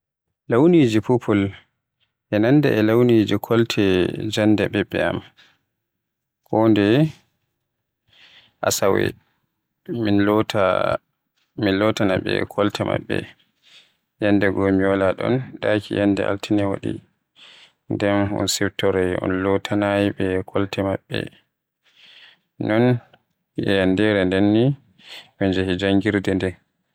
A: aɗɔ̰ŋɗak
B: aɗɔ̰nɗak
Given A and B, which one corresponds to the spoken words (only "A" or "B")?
B